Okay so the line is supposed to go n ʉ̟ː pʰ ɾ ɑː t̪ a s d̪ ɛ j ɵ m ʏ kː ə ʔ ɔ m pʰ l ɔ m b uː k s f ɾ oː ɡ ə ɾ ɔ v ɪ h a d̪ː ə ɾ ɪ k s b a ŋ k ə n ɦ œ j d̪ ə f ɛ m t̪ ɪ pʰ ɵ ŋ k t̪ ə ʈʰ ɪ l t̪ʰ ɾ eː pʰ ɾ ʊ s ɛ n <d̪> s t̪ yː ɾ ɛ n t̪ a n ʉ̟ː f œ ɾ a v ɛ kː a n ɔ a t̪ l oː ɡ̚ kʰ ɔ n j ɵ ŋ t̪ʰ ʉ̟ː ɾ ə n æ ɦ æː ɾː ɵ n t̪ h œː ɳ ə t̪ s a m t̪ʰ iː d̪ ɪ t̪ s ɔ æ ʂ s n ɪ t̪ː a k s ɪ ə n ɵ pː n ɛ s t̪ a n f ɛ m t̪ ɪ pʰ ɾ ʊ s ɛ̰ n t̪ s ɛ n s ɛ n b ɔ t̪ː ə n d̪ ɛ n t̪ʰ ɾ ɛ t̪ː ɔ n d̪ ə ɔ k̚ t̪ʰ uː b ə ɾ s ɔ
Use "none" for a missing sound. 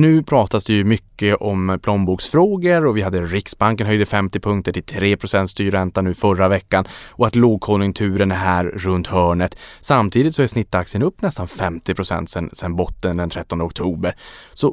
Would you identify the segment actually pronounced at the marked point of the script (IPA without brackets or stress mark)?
t̪